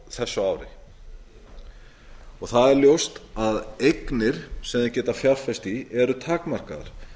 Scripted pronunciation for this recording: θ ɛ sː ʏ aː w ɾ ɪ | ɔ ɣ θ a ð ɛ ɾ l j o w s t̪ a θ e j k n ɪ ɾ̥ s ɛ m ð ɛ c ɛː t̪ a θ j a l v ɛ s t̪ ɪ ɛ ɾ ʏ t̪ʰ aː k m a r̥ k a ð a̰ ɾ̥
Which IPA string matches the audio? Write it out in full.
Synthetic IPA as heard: θ ɛ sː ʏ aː w ɾ ɪ | ɔ ɣ θ a ð ɛ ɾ l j o w s t̪ a ð e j k n ɪ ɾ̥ s ɛ m ð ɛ c ɛː t̪ a f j a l f ɛ s t̪ i ɛ ɾ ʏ t̪ʰ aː k m a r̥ k a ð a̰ ɾ̥